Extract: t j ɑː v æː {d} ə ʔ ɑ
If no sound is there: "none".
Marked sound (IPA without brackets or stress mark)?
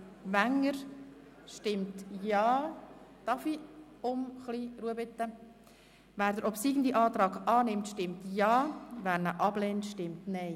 n